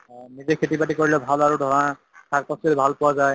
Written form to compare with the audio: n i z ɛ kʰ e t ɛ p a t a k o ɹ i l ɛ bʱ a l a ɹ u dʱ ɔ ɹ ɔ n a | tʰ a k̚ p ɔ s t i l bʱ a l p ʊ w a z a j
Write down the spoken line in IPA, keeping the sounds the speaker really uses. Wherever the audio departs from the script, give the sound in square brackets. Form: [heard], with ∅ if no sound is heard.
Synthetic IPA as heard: n i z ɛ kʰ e t [i] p a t [i] k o ɹ i l ɛ bʱ a l a ɹ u dʱ ɔ ɹ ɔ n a | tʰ a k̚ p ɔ s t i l bʱ a l p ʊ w a z a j